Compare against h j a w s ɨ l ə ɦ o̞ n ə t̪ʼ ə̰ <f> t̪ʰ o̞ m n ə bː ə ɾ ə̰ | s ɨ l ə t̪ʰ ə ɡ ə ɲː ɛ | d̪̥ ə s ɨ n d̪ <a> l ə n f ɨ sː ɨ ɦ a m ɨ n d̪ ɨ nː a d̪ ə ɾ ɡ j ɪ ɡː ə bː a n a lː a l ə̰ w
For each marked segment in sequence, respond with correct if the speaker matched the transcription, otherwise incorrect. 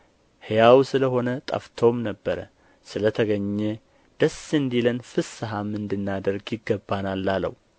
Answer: correct, incorrect

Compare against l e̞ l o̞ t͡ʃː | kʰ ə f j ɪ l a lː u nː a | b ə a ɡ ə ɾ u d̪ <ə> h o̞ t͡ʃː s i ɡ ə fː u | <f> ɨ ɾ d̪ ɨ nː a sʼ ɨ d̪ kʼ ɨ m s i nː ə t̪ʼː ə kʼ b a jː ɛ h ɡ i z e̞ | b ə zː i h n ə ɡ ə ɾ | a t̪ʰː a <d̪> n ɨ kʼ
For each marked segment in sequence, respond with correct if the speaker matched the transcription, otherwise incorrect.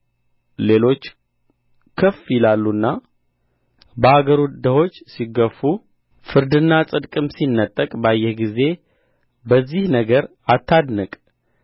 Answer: correct, correct, correct

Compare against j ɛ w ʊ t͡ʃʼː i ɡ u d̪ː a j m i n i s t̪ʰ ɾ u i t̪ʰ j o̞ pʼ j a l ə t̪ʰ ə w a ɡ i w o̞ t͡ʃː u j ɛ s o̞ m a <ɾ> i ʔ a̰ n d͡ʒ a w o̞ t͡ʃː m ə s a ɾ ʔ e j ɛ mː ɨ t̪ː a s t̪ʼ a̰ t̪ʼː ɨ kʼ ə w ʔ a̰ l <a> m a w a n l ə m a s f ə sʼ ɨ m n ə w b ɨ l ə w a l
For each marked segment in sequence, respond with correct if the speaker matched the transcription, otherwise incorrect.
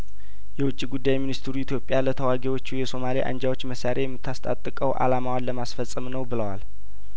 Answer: incorrect, correct

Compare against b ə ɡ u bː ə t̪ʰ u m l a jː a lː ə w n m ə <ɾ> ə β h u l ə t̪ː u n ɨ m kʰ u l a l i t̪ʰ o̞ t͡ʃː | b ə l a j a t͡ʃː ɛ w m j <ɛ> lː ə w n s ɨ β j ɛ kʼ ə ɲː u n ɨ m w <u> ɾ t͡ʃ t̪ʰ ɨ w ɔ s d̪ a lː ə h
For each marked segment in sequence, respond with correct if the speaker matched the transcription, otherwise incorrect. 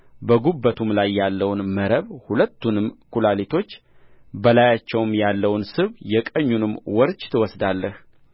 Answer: correct, incorrect, incorrect

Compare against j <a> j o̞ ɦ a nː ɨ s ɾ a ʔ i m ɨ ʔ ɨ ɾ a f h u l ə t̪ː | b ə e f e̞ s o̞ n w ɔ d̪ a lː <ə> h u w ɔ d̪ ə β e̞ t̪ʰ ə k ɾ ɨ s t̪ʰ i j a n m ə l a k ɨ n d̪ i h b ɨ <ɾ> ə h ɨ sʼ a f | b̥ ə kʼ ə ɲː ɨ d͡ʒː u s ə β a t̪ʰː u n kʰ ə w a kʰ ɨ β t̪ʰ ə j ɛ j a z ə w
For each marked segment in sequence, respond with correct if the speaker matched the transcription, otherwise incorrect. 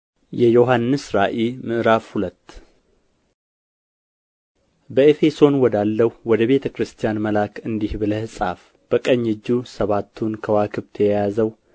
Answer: incorrect, correct, incorrect

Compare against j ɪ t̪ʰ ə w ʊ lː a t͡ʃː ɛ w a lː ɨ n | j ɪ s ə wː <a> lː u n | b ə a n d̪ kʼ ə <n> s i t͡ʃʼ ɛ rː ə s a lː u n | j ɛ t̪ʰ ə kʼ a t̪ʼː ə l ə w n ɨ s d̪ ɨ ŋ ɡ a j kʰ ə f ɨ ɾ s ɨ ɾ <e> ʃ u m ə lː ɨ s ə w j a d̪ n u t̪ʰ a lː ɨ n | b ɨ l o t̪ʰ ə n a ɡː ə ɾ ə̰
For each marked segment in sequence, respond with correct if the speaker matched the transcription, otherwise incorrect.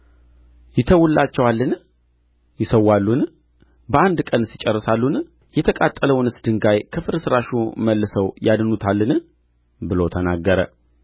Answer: correct, correct, incorrect

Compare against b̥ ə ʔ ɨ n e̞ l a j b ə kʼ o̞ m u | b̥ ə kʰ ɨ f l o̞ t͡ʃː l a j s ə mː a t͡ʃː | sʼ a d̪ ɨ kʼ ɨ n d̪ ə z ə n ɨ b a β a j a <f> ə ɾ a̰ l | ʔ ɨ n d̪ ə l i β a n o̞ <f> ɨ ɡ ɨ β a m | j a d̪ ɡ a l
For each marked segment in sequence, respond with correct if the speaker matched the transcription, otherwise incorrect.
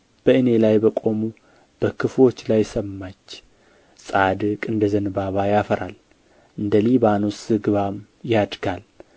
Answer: correct, incorrect

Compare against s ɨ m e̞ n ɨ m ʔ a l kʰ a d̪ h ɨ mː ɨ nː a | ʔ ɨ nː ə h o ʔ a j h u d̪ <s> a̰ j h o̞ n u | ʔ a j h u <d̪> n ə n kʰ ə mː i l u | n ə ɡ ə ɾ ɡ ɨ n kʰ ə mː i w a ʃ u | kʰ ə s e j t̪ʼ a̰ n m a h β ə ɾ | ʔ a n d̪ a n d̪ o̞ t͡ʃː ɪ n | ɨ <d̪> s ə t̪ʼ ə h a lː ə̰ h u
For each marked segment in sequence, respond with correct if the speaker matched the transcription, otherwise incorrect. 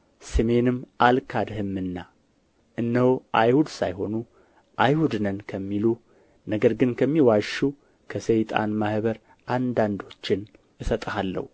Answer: correct, correct, incorrect

